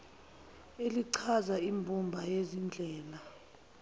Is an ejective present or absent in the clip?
absent